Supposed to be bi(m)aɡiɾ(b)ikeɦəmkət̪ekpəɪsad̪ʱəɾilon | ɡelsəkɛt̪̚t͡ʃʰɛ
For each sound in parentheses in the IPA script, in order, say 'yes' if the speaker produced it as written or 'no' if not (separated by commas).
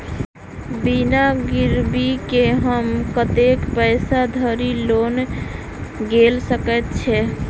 no, yes